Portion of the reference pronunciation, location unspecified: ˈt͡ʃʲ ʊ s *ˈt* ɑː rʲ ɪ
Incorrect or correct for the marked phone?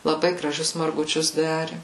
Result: incorrect: d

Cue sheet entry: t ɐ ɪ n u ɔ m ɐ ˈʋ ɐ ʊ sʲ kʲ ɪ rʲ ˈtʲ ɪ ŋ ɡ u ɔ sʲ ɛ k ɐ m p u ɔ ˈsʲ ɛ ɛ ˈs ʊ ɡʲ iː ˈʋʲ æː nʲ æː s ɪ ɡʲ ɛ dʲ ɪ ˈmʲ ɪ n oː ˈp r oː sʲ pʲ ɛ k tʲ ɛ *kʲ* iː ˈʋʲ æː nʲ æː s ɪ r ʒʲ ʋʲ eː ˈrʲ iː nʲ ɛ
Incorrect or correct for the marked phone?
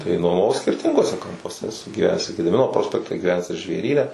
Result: incorrect: ɡʲ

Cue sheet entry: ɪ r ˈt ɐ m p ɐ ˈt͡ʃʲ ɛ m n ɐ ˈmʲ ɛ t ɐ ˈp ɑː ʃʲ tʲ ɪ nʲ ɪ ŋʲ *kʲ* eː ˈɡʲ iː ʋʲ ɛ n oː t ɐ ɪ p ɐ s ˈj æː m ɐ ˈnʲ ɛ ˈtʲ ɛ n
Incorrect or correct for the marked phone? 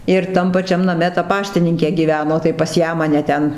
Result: correct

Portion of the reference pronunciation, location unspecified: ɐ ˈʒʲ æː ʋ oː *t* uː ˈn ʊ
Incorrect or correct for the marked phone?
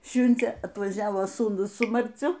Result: incorrect: s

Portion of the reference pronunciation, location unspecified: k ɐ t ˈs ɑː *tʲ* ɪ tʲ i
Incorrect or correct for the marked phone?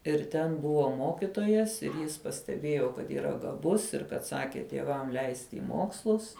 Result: incorrect: kʲ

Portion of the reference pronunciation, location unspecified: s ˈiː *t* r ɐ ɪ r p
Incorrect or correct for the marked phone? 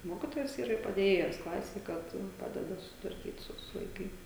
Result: incorrect: none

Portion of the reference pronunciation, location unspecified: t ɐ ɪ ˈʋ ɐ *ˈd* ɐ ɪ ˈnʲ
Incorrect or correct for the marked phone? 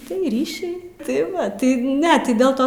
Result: incorrect: t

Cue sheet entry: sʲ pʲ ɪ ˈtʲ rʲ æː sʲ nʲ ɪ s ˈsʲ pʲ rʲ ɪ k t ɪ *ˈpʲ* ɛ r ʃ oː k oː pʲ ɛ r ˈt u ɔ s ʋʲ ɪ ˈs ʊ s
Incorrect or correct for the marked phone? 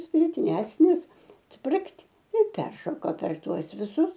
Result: correct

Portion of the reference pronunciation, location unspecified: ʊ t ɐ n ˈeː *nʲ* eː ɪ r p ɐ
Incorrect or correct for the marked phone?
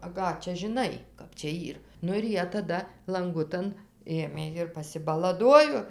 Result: incorrect: mʲ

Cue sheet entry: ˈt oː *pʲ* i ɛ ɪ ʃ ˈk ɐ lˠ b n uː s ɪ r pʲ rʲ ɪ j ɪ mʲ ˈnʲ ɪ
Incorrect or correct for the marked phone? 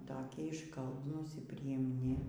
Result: incorrect: kʲ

